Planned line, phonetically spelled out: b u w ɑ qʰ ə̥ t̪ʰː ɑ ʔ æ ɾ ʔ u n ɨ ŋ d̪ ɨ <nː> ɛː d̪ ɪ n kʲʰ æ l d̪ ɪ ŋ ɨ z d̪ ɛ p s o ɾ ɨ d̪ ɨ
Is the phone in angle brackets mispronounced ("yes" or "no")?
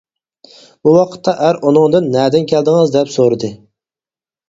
no